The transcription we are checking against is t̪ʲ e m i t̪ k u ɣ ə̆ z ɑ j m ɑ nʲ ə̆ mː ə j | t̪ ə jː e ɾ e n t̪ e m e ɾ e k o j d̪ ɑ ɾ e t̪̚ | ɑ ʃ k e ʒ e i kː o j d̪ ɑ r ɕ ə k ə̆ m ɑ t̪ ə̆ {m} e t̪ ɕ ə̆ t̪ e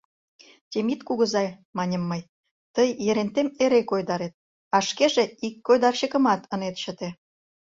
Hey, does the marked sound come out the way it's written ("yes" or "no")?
no